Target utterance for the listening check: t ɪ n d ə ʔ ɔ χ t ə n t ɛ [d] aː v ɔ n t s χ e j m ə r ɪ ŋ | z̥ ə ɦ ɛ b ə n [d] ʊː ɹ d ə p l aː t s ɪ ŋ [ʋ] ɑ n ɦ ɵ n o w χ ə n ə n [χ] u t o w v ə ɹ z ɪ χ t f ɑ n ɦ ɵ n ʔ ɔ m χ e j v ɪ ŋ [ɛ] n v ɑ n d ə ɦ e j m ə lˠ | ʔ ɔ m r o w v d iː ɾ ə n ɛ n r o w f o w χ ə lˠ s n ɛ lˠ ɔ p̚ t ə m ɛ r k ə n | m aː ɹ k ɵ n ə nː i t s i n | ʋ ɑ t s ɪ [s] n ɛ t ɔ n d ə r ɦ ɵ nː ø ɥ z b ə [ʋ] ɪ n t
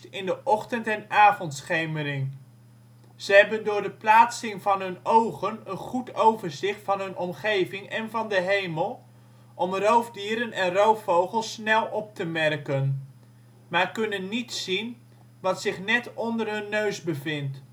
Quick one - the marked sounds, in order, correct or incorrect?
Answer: incorrect: n, correct, incorrect: v, correct, correct, incorrect: χ, incorrect: v

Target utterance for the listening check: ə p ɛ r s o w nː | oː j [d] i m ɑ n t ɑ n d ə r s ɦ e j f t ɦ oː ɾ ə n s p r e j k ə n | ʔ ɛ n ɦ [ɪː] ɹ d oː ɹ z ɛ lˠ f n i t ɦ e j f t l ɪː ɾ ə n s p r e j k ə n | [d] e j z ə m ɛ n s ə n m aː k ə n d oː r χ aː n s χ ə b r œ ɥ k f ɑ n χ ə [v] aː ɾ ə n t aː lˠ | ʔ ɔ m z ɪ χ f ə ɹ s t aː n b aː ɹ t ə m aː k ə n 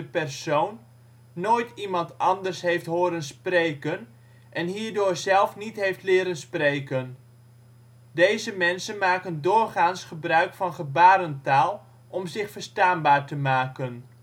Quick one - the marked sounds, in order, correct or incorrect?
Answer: incorrect: t, incorrect: iː, correct, incorrect: b

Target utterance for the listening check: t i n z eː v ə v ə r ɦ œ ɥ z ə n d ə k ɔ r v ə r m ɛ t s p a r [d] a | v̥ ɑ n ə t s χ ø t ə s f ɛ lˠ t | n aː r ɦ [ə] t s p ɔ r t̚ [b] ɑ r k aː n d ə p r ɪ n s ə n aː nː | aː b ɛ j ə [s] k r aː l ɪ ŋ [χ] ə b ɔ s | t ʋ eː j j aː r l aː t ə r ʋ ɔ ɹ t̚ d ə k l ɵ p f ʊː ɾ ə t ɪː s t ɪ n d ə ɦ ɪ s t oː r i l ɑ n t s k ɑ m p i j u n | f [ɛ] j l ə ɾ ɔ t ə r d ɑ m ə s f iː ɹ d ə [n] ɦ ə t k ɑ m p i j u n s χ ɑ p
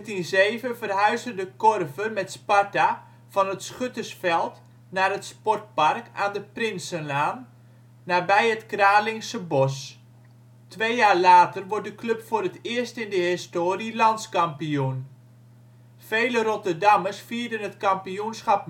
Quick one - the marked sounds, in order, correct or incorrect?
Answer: incorrect: t, correct, incorrect: p, incorrect: t, incorrect: s, incorrect: e, correct

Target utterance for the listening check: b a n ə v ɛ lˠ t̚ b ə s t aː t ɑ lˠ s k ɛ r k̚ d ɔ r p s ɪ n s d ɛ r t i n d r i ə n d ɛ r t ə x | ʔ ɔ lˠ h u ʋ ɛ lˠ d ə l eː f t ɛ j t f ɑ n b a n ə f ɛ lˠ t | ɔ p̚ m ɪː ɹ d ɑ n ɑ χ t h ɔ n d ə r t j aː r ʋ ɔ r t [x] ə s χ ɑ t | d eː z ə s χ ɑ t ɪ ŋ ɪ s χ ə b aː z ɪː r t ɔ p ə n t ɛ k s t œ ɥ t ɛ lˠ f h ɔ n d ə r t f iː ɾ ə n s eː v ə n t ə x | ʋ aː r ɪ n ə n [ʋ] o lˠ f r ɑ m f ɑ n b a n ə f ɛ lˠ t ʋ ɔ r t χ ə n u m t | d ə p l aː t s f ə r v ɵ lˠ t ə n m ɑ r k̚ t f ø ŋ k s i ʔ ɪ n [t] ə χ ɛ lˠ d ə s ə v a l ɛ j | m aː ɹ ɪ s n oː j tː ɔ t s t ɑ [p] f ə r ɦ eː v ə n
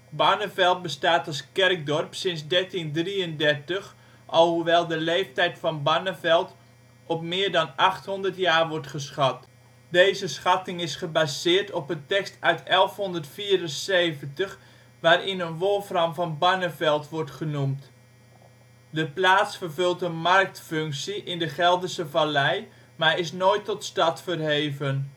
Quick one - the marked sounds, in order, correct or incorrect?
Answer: incorrect: χ, correct, incorrect: d, incorrect: t

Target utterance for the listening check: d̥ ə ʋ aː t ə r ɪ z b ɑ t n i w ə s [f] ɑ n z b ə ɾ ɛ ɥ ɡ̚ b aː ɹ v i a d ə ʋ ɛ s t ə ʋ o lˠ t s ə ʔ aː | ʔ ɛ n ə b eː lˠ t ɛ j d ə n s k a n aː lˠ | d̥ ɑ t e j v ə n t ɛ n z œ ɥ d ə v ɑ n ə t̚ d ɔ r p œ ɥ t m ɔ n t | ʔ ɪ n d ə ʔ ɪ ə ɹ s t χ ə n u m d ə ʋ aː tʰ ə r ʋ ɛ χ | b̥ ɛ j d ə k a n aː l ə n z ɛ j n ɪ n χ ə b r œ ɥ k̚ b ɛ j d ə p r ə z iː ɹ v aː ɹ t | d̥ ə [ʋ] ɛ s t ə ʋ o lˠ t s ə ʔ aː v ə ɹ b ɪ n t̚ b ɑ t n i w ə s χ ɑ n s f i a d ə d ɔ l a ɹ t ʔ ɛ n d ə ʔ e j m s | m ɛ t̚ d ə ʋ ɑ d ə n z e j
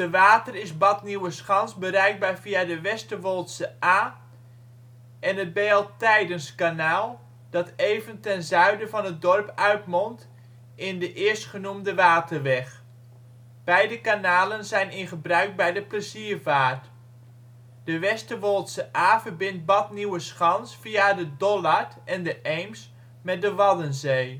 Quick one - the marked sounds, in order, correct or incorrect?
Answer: incorrect: χ, correct

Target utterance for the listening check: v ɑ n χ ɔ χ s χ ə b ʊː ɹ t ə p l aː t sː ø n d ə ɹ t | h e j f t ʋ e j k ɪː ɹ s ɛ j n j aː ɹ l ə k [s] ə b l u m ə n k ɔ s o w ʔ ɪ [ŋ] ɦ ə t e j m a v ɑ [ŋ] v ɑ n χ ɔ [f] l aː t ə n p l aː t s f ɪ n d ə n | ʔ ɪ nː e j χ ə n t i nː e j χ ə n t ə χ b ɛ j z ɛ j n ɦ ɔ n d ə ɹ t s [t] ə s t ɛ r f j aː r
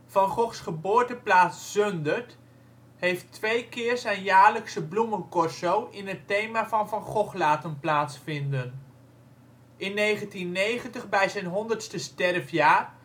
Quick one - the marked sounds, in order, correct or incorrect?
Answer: correct, incorrect: n, incorrect: n, incorrect: χ, correct

